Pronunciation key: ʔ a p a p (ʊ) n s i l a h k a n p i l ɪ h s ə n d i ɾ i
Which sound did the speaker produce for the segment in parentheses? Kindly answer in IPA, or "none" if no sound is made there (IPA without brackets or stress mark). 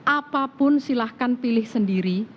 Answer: ʊ